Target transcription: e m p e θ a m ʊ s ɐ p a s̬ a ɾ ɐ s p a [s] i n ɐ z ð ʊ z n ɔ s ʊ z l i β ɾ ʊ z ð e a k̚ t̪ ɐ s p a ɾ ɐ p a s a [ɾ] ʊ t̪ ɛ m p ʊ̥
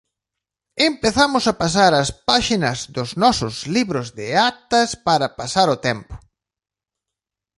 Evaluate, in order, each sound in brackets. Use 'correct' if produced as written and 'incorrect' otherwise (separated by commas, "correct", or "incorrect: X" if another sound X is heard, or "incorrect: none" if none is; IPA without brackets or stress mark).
incorrect: ʃ, correct